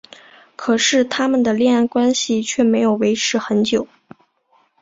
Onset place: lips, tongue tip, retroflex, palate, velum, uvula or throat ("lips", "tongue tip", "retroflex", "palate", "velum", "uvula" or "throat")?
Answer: velum